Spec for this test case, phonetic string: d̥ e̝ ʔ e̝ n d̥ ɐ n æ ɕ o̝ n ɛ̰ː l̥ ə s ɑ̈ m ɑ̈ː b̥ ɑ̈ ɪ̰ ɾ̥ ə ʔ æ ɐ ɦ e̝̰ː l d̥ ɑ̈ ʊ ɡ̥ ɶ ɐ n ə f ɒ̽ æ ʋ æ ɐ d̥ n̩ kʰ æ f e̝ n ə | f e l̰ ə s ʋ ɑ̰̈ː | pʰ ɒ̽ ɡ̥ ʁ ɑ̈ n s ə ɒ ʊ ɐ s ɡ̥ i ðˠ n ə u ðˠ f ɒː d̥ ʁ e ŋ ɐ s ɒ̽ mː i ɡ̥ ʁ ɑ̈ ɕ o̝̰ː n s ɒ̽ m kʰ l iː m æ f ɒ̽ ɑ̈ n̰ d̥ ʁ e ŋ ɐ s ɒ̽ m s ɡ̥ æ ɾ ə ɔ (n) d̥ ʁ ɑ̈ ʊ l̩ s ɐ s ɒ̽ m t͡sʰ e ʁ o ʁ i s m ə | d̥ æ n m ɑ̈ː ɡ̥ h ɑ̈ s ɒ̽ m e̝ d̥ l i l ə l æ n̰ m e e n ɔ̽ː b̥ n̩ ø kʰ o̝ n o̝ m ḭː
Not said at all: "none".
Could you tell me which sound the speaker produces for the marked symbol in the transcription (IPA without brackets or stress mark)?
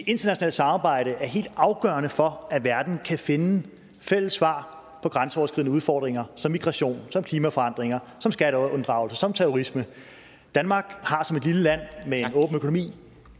n